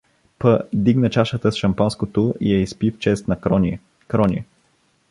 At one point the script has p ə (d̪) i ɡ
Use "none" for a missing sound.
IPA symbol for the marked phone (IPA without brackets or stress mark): d̪